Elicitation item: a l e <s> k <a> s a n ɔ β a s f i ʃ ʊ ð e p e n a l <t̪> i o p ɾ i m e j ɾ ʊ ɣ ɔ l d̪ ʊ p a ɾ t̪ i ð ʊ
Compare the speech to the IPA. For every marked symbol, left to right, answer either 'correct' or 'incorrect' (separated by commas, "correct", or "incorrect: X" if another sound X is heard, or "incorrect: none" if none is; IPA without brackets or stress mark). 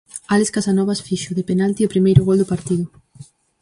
correct, correct, correct